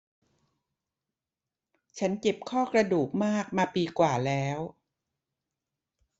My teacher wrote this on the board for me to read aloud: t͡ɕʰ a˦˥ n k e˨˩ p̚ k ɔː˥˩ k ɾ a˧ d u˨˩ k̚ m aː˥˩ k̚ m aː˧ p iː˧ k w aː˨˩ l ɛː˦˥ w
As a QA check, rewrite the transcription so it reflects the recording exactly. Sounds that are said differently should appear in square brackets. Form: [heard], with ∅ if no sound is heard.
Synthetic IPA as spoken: t͡ɕʰ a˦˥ n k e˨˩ p̚ [kʰ] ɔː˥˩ k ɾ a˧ d [uː˨˩] k̚ m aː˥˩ k̚ m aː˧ p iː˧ k w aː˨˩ l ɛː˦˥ w